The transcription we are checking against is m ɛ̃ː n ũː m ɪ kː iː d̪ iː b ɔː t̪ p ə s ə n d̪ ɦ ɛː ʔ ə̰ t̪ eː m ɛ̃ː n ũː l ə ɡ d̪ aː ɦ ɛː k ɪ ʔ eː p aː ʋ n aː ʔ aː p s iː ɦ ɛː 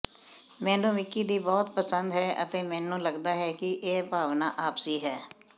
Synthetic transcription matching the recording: m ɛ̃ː n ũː m ɪ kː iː d̪ iː b ɔː t̪ p ə s ə n d̪ ɦ ɛː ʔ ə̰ t̪ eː m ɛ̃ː n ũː l ə ɡ d̪ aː ɦ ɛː k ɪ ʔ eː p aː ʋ n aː ʔ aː p s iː ɦ ɛː

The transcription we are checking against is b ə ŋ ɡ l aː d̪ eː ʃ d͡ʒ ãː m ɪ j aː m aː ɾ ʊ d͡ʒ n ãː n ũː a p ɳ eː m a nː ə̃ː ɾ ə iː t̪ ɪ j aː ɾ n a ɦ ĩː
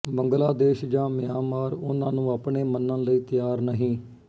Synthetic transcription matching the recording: b ə ŋ ɡ l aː d̪ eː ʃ d͡ʒ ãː m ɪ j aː m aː ɾ ʊ n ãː n ũː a p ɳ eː m ə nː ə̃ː l ə iː t̪ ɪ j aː ɾ n ə ɦ ĩː

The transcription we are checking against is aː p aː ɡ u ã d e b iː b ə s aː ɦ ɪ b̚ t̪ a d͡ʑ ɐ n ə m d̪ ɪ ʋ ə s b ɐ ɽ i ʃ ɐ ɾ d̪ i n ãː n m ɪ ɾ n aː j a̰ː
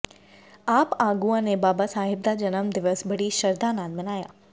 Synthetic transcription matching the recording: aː p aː ɡ u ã n e b aː b a s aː ɦ ɪ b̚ d̪ a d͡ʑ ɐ n ə m d̪ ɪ ʋ ə s b ɐ ɽ i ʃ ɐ ɾ d̪ a n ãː n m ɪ n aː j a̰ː

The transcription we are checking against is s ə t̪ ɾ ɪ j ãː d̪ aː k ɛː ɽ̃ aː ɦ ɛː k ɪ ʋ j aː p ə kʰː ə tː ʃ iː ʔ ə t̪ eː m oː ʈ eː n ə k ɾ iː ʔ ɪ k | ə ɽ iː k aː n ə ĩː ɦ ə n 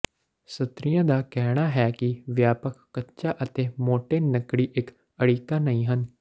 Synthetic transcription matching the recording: s ə t̪ ɾ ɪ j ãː d̪ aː k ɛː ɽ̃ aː ɦ ɛː k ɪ ʋ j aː p ə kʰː ə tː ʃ aː ʔ ə t̪ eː m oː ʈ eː n ə k ɽ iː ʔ ɪ k | ə ɽ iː k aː n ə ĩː ɦ ə n

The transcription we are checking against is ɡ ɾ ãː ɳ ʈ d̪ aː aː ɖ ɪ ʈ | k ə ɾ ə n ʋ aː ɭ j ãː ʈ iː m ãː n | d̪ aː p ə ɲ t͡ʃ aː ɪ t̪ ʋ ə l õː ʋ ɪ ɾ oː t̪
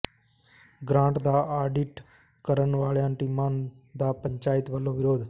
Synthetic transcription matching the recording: ɡ ɾ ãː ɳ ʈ d̪ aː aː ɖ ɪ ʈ | k ə ɾ ə n ʋ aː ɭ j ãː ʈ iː m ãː n | d̪ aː p ə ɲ t͡ʃ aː ɪ t̪ ʋ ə l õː ʋ ɪ ɾ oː d̪

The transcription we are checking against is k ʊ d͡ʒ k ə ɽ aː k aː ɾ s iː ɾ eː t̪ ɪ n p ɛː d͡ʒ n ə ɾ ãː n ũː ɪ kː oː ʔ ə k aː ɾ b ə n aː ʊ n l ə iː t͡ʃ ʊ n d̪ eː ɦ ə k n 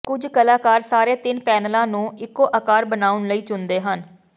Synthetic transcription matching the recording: k ʊ d͡ʒ k ə l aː k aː ɾ s aː ɾ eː t̪ ɪ n p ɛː n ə l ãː n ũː ɪ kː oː ʔ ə k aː ɾ b ə n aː ʊ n l ə iː t͡ʃ ʊ n d̪ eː ɦ ə n

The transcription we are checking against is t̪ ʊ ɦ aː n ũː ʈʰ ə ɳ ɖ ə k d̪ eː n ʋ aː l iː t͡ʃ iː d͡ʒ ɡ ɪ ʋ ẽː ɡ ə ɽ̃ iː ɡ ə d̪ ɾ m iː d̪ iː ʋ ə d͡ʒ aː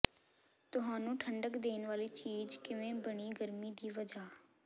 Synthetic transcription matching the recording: t̪ ʊ ɦ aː n ũː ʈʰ ə ɳ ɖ ə k d̪ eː n ʋ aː l iː t͡ʃ iː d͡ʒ k ɪ ʋ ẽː b ə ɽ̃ iː ɡ ə ɾ m iː d̪ iː ʋ ə d͡ʒ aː

